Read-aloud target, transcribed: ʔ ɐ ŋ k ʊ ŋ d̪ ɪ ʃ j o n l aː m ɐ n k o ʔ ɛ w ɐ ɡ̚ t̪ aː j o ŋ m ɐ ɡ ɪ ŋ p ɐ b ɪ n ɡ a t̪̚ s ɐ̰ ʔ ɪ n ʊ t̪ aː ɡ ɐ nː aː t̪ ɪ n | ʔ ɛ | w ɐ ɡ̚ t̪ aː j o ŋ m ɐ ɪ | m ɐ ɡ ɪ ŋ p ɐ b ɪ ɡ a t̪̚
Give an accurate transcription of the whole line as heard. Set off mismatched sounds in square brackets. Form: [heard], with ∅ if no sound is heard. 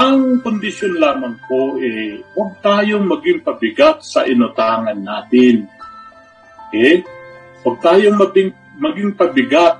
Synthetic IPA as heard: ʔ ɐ ŋ k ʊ [n] d̪ ɪ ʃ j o n l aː m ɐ [ŋ] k o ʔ ɛ w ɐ ɡ̚ t̪ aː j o ŋ m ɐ ɡ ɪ ŋ p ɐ b ɪ [∅] ɡ a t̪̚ s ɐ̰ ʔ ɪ n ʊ t̪ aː [ŋ] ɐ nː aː t̪ ɪ n | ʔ ɛ | w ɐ ɡ̚ t̪ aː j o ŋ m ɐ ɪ | m ɐ ɡ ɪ ŋ p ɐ b ɪ ɡ a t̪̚